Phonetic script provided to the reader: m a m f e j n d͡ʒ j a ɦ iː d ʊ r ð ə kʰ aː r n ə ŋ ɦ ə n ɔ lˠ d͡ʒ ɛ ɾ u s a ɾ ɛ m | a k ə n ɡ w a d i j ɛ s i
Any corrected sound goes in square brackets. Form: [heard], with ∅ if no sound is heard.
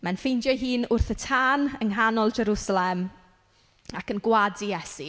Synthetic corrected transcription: m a [n] f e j n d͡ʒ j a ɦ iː [n] ʊ r [θ] ə [tʰ] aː [∅] n ə ŋ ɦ [a] n ɔ lˠ d͡ʒ ɛ ɾ u s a [l] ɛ m | a k ə n ɡ w a d i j ɛ s i

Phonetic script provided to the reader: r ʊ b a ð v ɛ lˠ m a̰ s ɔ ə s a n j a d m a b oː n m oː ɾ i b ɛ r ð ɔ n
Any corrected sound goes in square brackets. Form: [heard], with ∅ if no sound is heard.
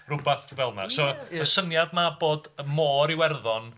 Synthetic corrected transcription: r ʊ b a [θ] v ɛ lˠ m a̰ s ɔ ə s [ə] n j a d m a b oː [d] m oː ɾ i [w] ɛ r ð ɔ n

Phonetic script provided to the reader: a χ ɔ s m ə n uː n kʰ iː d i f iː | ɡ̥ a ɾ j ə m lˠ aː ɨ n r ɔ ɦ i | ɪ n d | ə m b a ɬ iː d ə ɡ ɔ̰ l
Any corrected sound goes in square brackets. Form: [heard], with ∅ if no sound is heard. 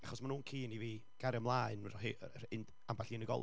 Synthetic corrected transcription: a χ ɔ s m [a] n uː n kʰ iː [n] i [v] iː | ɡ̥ a ɾ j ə m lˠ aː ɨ n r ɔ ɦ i | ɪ n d | [a] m b a ɬ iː [n] ə ɡ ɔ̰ l

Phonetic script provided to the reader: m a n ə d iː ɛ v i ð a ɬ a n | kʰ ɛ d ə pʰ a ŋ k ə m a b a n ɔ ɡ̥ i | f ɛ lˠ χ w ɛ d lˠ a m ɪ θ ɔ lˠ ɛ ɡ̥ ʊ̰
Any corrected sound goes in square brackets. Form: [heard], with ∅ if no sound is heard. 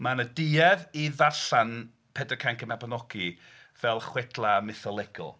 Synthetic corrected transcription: m a n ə d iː ɛ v i ð a ɬ a n | [pʰ] ɛ d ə [kʰ] a ŋ k ə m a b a n ɔ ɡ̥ i | [v] ɛ lˠ χ w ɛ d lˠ a m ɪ θ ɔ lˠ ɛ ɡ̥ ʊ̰

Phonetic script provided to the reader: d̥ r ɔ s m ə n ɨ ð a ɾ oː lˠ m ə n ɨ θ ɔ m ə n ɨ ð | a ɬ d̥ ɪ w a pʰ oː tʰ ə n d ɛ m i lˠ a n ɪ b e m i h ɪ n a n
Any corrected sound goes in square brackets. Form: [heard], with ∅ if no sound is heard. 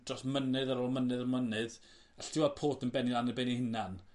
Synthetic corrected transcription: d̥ r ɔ s m ə n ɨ ð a ɾ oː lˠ m ə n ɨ [ð] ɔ m ə n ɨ ð | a ɬ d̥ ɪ w a pʰ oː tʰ ə n [b] ɛ [n] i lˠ a n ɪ b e [n] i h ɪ n a n

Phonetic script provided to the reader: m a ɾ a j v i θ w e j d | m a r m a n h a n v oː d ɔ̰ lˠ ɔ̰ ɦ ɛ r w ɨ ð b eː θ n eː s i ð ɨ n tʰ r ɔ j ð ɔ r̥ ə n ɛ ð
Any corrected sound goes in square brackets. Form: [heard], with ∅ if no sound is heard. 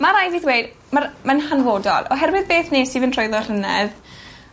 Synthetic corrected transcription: m a ɾ a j v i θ w e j d | m a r m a n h a n v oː d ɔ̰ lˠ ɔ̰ ɦ ɛ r w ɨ ð b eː θ n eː s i [v] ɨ n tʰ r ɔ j ð ɔ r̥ ə n ɛ ð

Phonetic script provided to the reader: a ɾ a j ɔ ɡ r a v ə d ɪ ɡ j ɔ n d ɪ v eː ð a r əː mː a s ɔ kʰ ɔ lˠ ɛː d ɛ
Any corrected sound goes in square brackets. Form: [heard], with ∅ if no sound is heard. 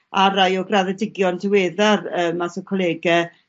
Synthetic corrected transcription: a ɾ a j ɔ ɡ r a [ð] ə d ɪ ɡ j ɔ n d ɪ [w] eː ð a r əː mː a s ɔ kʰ ɔ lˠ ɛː [ɡ] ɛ

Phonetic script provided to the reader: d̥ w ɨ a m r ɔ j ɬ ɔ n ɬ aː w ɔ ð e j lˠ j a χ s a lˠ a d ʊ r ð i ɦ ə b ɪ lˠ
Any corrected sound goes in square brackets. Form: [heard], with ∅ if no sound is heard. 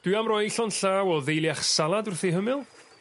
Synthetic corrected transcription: d̥ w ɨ a m r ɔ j ɬ ɔ n ɬ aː w ɔ ð e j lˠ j a χ s a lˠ a d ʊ r [θ] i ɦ ə [m] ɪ lˠ

